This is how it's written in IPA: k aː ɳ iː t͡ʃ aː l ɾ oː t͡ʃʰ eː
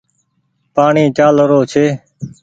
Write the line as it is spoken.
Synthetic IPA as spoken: p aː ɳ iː t͡ʃ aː l ɾ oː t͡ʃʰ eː